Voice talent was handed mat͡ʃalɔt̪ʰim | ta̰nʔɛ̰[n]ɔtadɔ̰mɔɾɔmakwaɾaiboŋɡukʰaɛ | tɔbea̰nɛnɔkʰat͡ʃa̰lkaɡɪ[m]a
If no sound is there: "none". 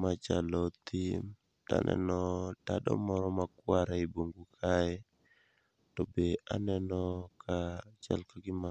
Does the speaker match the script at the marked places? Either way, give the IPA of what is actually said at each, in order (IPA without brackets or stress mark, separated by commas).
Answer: n, m